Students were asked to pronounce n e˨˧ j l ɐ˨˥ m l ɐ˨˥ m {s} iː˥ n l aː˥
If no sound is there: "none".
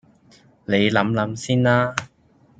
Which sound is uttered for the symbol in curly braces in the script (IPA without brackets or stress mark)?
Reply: s